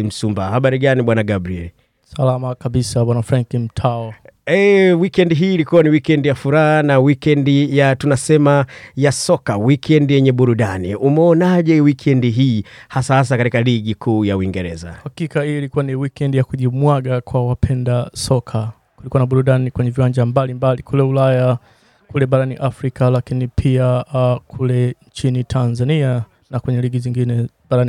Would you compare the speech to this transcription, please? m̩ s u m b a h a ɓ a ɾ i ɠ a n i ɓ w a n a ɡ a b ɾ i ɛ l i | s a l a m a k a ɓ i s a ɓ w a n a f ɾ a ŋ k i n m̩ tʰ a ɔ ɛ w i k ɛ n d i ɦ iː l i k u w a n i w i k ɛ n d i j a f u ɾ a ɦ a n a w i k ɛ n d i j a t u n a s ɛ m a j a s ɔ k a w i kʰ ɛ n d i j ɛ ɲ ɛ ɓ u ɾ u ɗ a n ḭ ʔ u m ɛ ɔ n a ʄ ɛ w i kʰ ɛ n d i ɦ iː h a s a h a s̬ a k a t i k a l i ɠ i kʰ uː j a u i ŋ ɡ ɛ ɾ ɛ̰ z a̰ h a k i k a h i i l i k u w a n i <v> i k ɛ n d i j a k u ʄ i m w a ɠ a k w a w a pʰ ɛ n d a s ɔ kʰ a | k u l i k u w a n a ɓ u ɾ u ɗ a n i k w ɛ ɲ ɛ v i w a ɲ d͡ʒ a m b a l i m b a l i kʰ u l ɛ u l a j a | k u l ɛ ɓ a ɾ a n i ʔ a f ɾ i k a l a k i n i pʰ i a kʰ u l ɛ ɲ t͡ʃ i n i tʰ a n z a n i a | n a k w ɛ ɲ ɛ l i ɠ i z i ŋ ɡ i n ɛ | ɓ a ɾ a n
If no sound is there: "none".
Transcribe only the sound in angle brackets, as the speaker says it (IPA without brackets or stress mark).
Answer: w